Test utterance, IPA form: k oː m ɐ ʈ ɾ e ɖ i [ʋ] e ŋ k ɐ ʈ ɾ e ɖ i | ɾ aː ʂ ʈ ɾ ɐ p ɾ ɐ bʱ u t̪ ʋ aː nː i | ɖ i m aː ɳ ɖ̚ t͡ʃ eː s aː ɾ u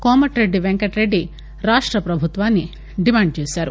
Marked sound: correct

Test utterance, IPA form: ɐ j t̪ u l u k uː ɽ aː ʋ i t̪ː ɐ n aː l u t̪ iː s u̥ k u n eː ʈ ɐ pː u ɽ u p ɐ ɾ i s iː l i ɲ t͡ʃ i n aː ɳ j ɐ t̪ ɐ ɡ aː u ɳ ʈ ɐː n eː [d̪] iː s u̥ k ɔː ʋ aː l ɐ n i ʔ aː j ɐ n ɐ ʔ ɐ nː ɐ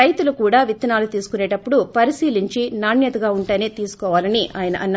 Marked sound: incorrect: t̪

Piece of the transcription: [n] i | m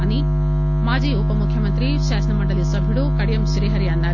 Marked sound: correct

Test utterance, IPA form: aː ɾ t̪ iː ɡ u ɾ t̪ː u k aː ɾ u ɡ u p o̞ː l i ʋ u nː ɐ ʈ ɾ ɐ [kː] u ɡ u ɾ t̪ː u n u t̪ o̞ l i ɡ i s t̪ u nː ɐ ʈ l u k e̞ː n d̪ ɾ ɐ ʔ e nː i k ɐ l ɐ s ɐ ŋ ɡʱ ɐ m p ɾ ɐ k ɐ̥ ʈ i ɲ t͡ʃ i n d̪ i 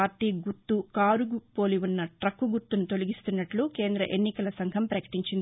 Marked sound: correct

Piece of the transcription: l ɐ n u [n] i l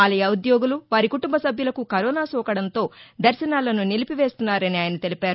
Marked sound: correct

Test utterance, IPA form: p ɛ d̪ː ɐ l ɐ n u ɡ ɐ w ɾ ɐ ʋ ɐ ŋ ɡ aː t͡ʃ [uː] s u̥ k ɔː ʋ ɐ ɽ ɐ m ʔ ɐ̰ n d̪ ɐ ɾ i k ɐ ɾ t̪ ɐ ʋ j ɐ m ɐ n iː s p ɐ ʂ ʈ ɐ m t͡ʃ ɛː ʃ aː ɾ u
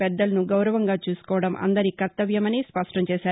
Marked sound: correct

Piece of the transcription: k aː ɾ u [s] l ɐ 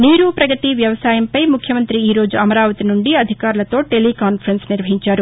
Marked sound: incorrect: none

